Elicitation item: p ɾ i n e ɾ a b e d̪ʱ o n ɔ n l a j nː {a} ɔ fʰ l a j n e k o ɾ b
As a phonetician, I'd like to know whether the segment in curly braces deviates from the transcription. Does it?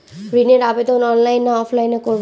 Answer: no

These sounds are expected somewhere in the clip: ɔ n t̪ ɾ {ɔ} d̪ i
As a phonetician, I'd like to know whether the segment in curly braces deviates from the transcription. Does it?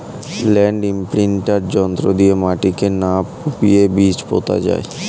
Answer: yes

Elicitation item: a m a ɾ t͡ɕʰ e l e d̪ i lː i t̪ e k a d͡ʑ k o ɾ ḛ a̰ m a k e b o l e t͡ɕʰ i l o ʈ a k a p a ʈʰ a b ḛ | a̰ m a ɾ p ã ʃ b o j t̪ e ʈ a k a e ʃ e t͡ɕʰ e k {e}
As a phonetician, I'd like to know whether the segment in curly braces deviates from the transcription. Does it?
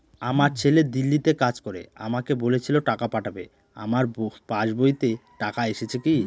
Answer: yes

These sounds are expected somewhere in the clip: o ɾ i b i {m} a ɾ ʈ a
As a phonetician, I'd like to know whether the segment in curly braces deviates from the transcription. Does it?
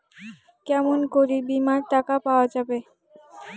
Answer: no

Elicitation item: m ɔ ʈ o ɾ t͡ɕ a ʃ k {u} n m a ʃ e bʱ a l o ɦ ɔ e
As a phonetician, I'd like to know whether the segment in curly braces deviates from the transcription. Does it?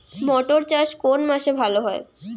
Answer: yes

